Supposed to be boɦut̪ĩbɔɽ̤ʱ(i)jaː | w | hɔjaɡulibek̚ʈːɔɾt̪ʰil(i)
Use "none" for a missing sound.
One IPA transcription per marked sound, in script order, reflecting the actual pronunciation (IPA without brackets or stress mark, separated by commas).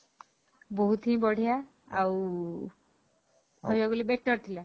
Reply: i, a